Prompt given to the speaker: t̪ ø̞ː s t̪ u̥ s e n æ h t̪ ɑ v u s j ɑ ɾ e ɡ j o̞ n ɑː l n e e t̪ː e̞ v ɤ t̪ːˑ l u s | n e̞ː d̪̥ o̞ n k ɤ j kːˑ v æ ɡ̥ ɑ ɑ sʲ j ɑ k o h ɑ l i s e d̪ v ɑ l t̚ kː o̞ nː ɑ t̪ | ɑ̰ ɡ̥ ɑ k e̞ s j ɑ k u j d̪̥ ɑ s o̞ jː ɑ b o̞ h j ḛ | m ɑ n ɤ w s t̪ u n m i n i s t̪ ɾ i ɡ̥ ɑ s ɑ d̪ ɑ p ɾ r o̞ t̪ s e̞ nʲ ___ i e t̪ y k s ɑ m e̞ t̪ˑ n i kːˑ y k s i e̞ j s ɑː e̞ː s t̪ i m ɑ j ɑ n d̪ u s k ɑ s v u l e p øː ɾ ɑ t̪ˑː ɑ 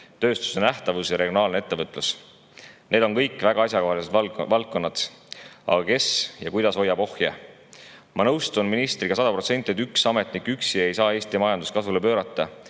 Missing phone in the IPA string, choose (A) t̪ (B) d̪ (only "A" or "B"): A